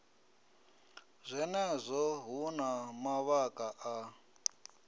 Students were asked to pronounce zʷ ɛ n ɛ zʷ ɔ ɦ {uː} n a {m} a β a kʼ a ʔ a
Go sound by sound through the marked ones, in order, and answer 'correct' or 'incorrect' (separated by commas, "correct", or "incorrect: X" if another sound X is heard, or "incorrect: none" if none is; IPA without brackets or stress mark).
incorrect: u, correct